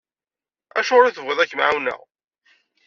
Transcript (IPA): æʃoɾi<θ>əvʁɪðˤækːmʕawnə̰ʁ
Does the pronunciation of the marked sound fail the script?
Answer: no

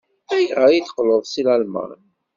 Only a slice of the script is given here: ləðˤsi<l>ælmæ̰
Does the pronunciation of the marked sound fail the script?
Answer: no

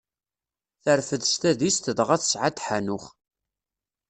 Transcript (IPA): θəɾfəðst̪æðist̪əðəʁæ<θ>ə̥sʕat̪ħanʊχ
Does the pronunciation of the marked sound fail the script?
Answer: no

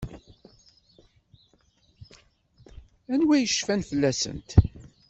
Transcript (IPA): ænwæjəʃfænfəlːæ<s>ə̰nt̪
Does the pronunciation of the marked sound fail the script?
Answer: no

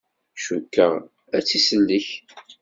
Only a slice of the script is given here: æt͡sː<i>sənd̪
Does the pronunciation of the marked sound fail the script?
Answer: no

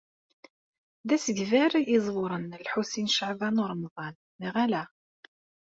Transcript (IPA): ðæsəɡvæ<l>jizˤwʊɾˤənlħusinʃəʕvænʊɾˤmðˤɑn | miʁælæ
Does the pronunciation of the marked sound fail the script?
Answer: yes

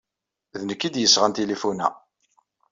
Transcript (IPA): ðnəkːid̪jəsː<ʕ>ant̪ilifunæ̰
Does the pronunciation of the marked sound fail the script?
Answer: yes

